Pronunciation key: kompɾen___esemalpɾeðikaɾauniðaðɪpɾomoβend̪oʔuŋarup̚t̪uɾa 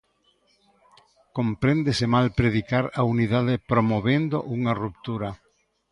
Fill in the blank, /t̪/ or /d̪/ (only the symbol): d̪